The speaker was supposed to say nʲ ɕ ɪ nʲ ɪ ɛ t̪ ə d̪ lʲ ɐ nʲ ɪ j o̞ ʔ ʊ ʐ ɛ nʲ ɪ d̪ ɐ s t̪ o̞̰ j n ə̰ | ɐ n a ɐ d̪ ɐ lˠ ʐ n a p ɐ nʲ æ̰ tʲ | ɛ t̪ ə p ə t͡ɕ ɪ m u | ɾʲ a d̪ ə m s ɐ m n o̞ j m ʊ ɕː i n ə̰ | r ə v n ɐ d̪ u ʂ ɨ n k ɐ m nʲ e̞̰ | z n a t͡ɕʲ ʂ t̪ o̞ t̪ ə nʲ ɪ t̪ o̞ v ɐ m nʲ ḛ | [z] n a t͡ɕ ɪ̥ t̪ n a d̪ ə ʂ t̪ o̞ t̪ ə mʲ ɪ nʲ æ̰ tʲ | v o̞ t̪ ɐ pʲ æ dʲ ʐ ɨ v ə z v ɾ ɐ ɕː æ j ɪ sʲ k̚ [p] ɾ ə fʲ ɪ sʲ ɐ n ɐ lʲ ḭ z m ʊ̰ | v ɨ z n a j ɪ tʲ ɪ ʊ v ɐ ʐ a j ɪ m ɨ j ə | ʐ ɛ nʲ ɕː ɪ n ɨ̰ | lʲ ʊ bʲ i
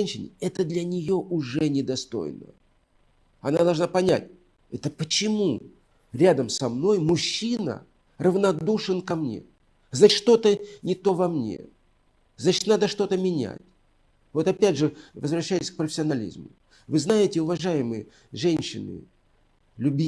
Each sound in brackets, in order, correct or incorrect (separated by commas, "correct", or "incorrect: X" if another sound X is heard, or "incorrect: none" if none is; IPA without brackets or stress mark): correct, correct